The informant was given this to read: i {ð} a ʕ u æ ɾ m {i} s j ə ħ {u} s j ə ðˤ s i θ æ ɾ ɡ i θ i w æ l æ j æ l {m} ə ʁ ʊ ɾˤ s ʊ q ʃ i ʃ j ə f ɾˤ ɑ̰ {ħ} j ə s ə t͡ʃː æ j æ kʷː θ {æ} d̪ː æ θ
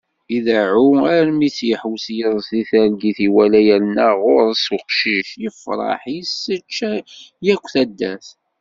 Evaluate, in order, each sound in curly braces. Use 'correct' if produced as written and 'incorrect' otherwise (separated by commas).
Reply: correct, correct, incorrect, incorrect, correct, correct